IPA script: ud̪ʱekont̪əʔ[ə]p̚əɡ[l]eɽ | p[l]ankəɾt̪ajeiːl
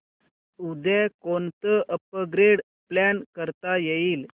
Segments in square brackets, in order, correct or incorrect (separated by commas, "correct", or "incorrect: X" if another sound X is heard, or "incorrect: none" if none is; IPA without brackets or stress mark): correct, incorrect: ɾ, correct